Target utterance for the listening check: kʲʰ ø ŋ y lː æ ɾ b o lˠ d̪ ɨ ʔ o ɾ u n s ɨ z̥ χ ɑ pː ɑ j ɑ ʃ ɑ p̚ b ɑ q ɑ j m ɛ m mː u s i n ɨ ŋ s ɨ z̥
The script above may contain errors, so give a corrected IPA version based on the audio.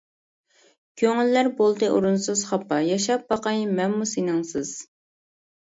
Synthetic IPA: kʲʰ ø ŋ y lː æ ɾ b o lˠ d̪ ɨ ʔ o ɾ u n s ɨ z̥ χ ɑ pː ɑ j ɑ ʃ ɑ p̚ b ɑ q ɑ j m ɛ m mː u s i n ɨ ŋ s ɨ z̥